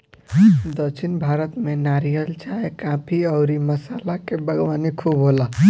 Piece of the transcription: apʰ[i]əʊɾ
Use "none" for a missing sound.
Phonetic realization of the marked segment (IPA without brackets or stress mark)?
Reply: i